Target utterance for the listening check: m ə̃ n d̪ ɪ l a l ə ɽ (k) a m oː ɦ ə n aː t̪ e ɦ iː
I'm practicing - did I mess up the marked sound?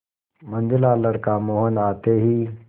no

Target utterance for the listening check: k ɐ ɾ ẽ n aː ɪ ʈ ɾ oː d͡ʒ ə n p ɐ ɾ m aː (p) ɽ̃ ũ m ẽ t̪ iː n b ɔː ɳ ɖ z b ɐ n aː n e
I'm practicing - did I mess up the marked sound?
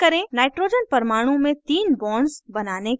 yes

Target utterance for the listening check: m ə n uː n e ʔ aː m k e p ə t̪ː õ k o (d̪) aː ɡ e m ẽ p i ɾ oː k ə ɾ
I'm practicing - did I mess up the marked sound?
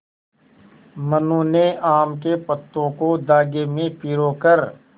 no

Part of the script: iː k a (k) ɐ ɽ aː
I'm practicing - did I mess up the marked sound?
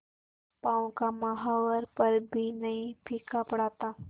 yes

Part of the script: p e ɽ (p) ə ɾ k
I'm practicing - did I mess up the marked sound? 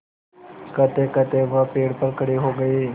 no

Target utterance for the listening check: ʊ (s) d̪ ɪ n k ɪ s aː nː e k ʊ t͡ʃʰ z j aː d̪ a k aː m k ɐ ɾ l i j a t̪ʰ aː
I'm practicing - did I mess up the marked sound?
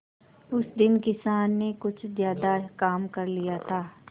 no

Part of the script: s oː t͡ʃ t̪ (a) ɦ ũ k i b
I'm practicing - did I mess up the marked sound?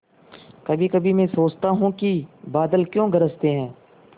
no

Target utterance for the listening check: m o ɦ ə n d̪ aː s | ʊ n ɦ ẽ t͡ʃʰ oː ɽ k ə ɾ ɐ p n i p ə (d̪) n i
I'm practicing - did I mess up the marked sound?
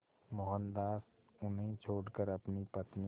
yes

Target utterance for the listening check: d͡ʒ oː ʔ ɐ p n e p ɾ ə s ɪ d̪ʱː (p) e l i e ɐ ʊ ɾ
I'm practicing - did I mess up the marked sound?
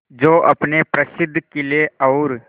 yes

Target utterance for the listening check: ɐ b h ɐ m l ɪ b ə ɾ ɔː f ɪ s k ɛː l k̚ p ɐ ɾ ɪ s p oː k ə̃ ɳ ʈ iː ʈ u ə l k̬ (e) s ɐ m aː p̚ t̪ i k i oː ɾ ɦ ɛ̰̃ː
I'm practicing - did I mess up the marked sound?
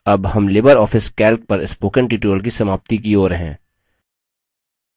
yes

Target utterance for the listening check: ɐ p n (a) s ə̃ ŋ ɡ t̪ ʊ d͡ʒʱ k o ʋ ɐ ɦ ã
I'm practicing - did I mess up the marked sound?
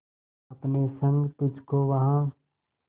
yes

